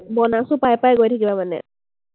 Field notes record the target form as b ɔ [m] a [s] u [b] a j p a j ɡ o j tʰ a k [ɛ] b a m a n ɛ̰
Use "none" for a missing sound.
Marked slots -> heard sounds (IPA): n, s, p, i

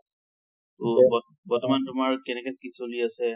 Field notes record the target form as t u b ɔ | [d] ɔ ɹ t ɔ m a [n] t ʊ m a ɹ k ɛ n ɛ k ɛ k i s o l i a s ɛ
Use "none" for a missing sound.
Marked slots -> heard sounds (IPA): b, n

